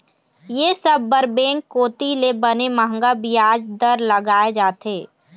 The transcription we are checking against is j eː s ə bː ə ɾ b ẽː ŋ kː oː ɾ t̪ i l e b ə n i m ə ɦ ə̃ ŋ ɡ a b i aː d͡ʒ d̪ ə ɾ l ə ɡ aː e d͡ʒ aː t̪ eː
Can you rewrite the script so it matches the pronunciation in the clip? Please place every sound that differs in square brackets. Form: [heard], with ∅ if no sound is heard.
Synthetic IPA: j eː s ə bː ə ɾ b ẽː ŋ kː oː [∅] t̪ i l e b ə n [e] m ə ɦ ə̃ ŋ ɡ a b i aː d͡ʒ d̪ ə ɾ l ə ɡ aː e d͡ʒ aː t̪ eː

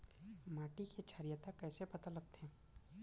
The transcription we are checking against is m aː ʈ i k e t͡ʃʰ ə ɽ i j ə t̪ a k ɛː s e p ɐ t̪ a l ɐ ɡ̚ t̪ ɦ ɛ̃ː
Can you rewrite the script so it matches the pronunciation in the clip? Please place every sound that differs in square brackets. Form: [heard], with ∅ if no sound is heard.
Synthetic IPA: m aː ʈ i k e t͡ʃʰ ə [ɾ] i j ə t̪ a k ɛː s e p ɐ t̪ a l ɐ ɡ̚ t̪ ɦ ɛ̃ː

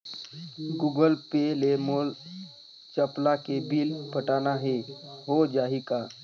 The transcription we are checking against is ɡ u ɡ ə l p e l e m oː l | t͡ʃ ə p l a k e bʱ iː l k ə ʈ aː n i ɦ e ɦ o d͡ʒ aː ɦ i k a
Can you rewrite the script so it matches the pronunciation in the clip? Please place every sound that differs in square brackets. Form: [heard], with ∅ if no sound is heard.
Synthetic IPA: ɡ u ɡ ə l p e l e m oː l | t͡ʃ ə p l a k e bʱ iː l [p] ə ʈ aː n [a] ɦ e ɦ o d͡ʒ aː ɦ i k a

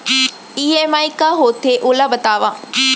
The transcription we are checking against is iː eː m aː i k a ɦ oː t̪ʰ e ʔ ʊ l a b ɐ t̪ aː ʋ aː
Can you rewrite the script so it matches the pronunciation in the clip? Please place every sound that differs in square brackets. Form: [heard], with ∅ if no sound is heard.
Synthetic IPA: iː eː m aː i k a ɦ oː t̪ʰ e ʔ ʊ l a b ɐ t̪ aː ʋ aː

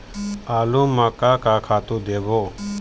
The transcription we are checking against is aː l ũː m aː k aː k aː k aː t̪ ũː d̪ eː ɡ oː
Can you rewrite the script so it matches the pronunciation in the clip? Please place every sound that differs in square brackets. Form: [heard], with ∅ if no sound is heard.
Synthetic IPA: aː l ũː m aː k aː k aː [kʰ] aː t̪ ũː d̪ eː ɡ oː

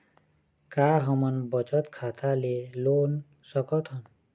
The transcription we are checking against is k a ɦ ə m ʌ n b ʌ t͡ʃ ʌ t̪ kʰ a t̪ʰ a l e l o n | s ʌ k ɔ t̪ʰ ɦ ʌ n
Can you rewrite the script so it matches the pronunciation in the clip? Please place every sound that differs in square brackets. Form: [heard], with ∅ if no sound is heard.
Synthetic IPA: k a ɦ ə m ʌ n b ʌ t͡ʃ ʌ t̪ kʰ a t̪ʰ a l e l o n | s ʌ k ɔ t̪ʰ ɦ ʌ n

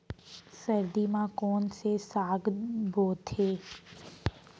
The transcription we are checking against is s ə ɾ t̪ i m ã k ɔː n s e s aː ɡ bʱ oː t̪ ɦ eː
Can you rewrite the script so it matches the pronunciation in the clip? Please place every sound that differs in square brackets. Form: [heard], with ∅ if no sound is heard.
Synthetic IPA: s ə ɾ [d̪] i m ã k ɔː n s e s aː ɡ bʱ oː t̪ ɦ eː

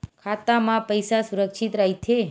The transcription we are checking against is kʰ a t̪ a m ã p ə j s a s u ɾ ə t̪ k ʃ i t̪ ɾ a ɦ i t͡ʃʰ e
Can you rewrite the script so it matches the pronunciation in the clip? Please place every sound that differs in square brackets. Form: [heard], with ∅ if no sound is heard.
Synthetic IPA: kʰ a t̪ a m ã p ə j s a s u ɾ ə [∅] k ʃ i t̪ ɾ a ɦ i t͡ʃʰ e

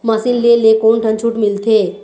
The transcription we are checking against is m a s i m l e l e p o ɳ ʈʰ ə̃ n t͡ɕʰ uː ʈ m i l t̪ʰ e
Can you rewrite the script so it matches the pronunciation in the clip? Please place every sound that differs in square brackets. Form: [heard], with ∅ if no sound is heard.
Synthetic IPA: m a s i [n] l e l e [k] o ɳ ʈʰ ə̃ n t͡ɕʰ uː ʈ m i l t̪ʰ e

